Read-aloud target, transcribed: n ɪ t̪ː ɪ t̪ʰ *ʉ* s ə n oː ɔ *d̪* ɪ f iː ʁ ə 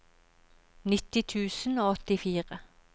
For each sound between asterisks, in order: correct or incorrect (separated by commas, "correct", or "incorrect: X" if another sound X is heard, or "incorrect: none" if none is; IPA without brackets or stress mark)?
incorrect: ʉː, incorrect: t̪